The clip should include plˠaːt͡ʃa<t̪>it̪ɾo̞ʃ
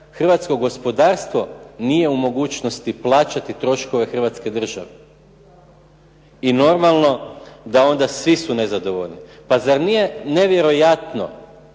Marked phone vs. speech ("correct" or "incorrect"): correct